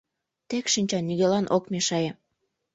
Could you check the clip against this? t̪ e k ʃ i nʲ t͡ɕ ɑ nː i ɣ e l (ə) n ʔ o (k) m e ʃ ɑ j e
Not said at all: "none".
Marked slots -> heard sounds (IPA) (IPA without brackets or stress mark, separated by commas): ɑ, k